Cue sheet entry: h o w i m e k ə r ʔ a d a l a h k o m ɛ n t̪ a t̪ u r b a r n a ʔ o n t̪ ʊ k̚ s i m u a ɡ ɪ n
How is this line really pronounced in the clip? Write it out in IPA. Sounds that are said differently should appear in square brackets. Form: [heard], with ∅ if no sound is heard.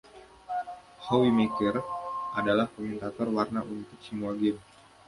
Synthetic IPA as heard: h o w i m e k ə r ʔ a d a l a h k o m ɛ n t̪ a t̪ [ɔ] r [w] a r n a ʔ [u] n t̪ ʊ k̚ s i m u a ɡ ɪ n